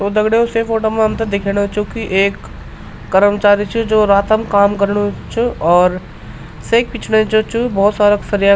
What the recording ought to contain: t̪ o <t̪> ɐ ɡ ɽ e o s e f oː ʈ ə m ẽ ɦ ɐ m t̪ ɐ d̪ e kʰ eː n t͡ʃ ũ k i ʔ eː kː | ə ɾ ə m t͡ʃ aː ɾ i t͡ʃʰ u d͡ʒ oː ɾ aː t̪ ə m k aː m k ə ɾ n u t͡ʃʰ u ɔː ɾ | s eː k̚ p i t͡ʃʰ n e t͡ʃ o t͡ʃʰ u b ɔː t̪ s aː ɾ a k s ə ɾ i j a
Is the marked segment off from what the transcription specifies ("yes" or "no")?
yes